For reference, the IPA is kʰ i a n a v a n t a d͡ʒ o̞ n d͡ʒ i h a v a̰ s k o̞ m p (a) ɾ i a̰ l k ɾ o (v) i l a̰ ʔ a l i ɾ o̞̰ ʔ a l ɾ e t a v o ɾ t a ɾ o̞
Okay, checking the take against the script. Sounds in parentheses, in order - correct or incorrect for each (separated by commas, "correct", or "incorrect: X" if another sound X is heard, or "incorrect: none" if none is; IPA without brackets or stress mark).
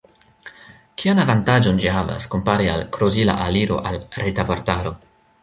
correct, incorrect: z